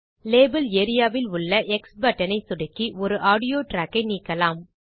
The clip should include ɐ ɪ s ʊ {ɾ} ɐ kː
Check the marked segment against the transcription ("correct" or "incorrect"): incorrect